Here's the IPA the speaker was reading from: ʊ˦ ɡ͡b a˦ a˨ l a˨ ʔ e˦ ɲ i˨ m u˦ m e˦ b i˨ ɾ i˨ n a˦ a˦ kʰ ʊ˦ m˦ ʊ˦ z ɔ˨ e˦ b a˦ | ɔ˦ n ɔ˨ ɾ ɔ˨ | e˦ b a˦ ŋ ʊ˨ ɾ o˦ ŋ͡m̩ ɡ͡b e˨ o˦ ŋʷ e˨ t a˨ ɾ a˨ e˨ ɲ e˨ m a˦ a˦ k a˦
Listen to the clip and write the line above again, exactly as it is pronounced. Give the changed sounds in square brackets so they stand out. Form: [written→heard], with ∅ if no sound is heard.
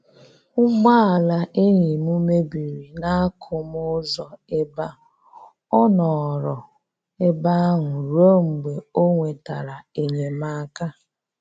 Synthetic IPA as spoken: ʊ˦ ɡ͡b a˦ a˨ l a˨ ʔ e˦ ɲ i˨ m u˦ m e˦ b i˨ ɾ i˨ n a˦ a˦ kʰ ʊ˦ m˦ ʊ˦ z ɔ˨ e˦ b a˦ | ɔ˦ n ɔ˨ ɾ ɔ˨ | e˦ b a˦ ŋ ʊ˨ ɾ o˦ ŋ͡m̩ ɡ͡b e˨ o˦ ŋʷ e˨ t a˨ ɾ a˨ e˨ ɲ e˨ m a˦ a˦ k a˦